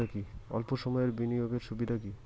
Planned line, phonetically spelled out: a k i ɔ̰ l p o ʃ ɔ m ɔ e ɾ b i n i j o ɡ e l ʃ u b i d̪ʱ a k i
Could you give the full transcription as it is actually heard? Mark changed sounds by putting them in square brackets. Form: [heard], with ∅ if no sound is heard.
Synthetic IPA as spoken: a k i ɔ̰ l p o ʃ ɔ m ɔ e ɾ b i n i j o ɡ e [ɾ] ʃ u b i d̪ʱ a k i